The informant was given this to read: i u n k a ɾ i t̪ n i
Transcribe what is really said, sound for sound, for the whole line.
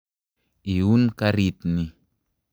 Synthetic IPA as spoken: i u n k a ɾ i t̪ n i